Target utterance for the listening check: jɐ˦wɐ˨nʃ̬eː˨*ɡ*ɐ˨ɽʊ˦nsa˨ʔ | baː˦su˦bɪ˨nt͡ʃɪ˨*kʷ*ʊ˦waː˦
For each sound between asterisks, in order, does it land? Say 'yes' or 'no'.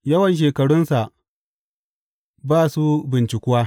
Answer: no, yes

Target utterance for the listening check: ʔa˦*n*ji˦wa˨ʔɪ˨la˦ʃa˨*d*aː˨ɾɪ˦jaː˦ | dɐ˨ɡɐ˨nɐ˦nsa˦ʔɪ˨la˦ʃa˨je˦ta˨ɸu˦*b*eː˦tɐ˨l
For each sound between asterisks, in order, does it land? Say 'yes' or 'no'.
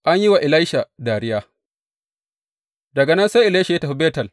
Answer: no, yes, yes

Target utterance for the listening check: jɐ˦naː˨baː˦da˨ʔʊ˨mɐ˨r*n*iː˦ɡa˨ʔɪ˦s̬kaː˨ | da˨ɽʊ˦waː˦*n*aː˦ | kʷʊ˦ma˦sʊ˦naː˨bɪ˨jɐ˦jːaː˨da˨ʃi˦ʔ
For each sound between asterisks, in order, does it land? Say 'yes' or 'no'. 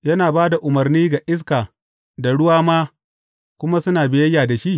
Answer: yes, no

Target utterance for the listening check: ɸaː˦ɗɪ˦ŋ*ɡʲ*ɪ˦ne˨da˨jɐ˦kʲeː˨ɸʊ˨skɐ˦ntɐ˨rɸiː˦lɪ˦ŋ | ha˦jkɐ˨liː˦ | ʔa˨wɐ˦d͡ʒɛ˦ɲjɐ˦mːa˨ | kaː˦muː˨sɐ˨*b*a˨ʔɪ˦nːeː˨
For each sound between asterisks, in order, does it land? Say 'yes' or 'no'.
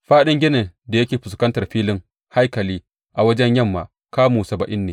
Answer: yes, yes

